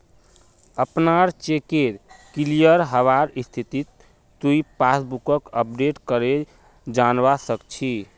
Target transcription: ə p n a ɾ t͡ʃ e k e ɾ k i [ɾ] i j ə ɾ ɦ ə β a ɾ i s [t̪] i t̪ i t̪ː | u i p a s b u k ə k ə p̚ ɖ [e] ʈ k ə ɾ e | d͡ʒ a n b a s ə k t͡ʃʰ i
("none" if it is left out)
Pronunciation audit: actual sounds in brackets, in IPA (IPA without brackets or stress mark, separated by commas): l, t̪ʰ, e